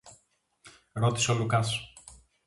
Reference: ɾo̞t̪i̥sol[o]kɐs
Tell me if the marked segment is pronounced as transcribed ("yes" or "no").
no